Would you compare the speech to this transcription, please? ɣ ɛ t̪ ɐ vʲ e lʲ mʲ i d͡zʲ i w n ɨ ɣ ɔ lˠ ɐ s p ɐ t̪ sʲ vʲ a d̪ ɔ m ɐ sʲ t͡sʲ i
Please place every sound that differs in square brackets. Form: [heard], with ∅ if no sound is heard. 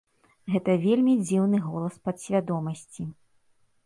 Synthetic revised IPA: ɣ ɛ t̪ ɐ vʲ e lʲ mʲ i d͡zʲ i w n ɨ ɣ ɔ lˠ ɐ s p ɐ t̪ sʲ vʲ a d̪ ɔ m ɐ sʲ t͡sʲ i